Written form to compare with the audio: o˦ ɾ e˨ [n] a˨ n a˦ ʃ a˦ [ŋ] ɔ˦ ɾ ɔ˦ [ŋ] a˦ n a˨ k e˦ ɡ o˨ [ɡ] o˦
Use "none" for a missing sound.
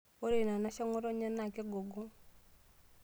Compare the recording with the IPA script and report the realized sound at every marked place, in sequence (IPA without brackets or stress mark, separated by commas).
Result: n, ŋ, ɲ, ɡ